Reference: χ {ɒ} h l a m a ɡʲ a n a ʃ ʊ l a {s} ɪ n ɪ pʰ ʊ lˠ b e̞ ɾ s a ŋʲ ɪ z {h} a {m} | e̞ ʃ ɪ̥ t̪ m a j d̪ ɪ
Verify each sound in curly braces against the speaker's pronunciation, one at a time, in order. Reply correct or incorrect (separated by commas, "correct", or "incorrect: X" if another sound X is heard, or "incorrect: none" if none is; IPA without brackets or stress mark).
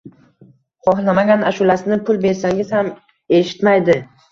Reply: correct, correct, correct, correct